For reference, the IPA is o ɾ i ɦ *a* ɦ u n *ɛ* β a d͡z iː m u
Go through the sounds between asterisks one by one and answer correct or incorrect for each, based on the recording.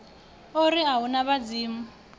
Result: correct, incorrect

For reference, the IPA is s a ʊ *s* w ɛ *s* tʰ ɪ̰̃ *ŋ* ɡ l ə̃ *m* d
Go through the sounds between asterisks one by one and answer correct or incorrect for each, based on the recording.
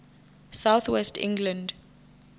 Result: incorrect, correct, correct, incorrect

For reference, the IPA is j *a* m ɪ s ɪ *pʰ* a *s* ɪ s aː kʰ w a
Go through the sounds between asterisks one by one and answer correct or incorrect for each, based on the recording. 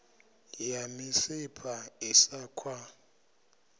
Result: correct, correct, incorrect

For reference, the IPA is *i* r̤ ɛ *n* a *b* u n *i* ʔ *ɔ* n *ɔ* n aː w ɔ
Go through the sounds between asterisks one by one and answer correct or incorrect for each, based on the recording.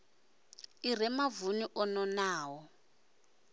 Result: correct, incorrect, incorrect, correct, correct, correct

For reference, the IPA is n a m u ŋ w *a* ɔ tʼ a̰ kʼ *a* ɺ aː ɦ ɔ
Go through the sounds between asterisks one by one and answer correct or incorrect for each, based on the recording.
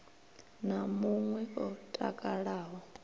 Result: incorrect, correct

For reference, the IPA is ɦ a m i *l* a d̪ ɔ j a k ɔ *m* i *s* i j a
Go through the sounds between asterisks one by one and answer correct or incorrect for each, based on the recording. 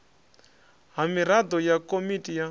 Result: incorrect, correct, incorrect

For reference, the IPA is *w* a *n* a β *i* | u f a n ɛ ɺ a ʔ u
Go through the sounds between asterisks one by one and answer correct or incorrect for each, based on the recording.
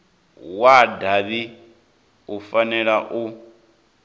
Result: correct, incorrect, correct

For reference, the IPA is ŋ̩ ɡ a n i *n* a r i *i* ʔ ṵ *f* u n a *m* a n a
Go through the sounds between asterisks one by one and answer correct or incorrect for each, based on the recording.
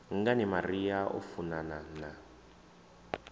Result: incorrect, incorrect, correct, incorrect

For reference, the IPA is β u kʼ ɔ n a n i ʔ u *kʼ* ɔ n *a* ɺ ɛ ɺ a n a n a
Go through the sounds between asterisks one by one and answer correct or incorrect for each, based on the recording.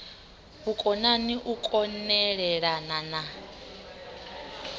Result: correct, incorrect

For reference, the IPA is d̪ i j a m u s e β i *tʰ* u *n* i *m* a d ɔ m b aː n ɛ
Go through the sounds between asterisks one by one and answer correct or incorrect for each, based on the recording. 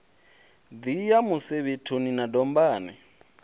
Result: correct, correct, incorrect

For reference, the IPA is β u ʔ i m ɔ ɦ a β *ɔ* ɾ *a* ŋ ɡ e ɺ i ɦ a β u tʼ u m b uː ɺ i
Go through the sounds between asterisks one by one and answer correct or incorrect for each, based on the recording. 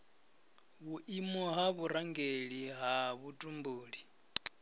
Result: incorrect, correct

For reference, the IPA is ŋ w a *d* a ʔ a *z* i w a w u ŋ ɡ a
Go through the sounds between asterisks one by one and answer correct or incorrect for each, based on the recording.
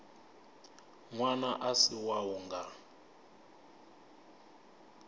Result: incorrect, incorrect

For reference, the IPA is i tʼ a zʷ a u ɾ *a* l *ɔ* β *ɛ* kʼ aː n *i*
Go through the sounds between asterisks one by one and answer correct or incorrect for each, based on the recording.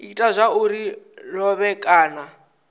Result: incorrect, correct, correct, incorrect

